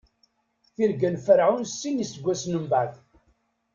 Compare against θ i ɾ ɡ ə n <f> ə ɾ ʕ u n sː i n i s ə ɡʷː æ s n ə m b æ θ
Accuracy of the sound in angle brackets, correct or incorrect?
correct